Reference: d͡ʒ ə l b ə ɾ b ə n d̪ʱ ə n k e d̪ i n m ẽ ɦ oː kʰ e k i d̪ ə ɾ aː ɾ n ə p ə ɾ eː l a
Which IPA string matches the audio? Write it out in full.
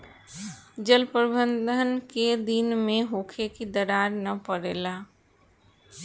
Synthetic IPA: d͡ʒ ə l p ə ɾ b ə n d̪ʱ ə n k e d̪ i n m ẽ ɦ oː kʰ e k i d̪ ə ɾ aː ɾ n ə p ə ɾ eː l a